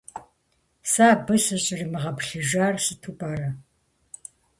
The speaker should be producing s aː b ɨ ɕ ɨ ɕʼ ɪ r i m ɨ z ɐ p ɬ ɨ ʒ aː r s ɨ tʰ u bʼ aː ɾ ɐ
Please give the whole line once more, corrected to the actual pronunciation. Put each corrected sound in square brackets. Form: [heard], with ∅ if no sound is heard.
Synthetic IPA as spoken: s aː b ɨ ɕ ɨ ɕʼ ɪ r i m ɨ [ʁ] ɐ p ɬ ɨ ʒ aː r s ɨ tʰ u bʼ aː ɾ ɐ